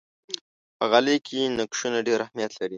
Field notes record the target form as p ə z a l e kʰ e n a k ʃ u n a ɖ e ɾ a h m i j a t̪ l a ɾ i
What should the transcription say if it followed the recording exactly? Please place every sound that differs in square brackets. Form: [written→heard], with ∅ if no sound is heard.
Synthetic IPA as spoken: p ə [z→ɣ] a l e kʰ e n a k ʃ u n a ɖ e ɾ a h m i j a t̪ l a ɾ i